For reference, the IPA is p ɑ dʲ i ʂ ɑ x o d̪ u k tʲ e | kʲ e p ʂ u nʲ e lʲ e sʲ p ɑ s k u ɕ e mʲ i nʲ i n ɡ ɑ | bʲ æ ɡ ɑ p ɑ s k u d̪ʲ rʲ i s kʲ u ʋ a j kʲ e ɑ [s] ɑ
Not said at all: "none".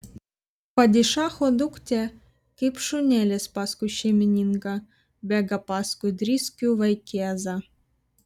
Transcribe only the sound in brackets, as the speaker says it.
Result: z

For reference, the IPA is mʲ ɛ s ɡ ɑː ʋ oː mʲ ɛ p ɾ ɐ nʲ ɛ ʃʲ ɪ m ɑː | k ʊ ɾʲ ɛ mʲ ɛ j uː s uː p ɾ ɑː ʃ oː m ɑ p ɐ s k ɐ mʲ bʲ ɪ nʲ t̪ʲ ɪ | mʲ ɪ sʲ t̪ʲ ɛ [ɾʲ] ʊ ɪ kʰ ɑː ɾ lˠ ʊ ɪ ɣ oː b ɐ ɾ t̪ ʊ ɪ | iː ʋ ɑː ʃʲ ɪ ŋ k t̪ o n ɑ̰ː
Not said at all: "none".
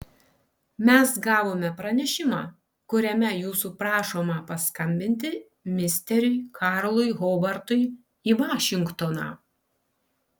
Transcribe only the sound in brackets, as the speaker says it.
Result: ɾʲ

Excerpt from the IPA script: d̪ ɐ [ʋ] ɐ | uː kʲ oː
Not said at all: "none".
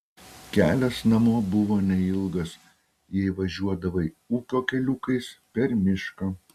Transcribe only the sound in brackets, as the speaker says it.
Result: ʋ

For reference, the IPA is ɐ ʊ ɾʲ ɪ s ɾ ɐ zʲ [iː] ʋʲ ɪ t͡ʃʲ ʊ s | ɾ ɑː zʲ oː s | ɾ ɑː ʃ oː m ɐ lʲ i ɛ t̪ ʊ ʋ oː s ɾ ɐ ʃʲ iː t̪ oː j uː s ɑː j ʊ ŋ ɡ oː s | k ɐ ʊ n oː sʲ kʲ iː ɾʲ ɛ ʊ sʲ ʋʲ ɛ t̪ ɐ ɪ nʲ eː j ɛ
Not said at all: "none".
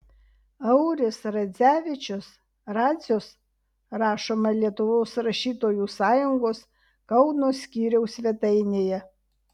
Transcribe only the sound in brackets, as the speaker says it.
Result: æː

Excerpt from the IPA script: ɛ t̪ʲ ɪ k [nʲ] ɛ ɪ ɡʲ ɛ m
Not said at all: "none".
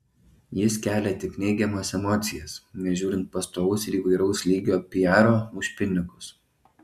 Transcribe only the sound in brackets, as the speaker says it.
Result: nʲ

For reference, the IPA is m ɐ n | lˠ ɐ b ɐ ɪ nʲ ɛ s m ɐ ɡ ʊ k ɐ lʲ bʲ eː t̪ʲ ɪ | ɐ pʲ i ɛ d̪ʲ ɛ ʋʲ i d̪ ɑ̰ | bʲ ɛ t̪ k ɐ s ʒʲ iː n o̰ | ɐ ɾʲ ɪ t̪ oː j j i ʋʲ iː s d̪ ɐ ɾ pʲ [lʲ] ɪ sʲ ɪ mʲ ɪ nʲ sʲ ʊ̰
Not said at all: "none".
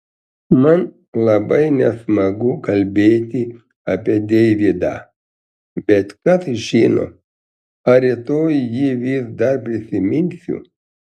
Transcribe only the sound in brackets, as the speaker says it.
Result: ɾʲ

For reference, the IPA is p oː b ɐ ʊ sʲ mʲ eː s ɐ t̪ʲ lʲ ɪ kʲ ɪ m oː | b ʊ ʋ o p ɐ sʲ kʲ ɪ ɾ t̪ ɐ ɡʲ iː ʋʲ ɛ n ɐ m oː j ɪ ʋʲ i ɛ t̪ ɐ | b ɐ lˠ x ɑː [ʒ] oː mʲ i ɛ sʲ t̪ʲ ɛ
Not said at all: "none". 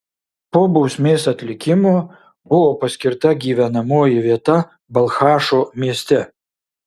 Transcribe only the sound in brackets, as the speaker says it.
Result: ʃ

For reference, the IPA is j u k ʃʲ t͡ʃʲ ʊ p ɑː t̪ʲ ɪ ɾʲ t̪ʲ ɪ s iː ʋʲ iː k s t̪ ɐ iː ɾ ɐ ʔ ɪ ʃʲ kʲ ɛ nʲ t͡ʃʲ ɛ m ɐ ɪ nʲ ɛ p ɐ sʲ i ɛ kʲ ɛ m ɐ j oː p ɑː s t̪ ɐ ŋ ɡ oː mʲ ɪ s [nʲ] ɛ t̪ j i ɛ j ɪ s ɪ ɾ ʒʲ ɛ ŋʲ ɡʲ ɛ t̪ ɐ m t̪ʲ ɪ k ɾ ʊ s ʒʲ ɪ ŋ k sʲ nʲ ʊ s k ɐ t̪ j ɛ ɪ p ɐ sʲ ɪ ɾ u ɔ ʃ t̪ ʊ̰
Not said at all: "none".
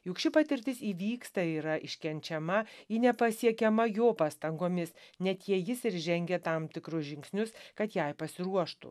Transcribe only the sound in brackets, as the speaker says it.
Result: nʲ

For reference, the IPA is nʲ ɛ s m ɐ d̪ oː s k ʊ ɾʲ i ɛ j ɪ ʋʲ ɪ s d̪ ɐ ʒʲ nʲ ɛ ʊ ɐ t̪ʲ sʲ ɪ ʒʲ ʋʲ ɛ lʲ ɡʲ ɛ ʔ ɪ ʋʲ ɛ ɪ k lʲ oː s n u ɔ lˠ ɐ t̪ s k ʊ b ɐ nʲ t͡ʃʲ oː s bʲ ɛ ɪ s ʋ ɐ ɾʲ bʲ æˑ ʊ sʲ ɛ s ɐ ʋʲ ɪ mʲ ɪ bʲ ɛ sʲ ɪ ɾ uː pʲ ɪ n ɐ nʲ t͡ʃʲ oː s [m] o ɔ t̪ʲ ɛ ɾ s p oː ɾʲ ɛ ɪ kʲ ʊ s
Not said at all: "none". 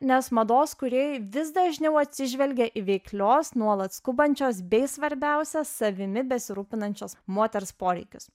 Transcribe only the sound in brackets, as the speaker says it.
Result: m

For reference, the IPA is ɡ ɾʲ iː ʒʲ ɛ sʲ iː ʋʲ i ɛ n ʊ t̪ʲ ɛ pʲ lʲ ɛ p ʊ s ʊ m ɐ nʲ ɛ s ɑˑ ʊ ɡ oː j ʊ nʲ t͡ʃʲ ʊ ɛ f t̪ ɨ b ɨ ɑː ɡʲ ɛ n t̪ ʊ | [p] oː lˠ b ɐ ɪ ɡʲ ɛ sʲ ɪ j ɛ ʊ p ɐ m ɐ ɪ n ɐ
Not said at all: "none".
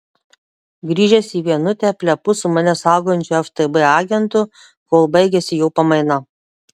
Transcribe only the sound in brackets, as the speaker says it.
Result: k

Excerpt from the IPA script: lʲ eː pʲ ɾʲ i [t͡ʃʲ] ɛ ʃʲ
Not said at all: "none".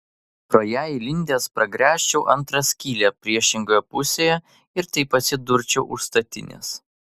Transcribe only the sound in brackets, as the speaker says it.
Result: none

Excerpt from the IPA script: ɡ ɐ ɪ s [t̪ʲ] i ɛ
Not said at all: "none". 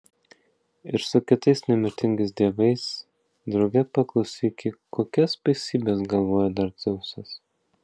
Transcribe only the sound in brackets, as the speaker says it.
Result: d̪ʲ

